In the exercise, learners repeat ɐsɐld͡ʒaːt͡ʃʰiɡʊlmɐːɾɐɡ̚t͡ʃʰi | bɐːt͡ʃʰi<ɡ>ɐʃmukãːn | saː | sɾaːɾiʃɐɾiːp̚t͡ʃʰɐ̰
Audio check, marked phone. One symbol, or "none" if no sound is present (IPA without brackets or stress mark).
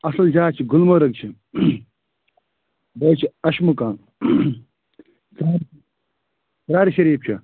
none